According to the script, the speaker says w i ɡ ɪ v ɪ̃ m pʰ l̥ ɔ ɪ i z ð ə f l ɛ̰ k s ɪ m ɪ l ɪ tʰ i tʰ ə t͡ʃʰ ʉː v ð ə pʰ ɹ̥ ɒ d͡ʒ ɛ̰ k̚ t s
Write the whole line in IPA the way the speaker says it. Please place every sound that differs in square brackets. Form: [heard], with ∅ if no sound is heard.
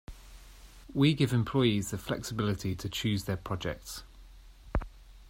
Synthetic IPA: w i ɡ ɪ v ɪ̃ m pʰ l̥ ɔ ɪ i z ð ə f l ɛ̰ k s ɪ [b] ɪ l ɪ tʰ i tʰ ə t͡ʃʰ ʉː [z] ð ə pʰ ɹ̥ ɒ d͡ʒ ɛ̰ k̚ t s